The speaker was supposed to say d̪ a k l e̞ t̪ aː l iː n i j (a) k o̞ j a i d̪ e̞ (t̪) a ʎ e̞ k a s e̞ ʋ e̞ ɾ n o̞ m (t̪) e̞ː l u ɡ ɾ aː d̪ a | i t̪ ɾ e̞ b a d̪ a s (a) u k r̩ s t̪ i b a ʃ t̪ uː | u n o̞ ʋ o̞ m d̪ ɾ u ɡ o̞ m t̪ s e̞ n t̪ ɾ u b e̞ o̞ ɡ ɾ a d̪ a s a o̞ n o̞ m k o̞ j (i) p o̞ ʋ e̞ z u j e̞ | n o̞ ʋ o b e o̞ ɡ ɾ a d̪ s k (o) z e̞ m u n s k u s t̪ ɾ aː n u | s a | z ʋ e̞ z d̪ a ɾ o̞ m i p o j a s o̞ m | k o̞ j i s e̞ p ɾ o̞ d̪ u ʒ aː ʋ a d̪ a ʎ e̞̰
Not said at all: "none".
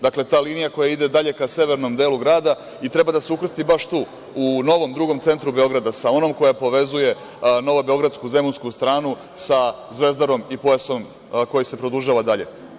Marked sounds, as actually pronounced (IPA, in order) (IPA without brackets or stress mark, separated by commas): a, d̪, d̪, e, a, u